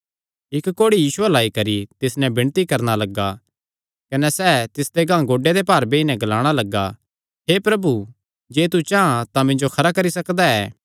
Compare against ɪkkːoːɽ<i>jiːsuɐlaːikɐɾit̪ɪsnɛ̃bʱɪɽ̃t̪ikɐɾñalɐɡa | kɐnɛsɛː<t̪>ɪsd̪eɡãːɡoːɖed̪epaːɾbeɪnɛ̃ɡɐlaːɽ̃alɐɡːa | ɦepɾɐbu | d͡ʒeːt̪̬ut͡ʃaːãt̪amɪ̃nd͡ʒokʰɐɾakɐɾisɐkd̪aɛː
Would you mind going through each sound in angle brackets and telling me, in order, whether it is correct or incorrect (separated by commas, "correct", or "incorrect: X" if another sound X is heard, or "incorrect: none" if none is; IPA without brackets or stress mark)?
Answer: correct, correct